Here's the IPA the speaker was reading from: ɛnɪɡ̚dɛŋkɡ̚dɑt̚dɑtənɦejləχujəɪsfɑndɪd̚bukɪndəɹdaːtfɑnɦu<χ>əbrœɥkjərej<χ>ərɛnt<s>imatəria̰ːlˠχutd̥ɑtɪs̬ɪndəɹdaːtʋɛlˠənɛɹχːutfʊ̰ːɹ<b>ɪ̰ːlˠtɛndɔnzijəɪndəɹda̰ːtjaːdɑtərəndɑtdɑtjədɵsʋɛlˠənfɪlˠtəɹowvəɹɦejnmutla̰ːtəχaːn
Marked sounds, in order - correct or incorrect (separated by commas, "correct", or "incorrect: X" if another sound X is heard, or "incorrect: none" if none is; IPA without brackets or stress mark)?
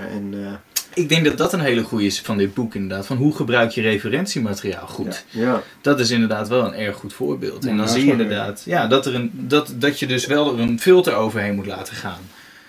correct, incorrect: f, correct, correct